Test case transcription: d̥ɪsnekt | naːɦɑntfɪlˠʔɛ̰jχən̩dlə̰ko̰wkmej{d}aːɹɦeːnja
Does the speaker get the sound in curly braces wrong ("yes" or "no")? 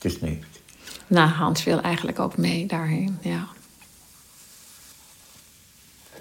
no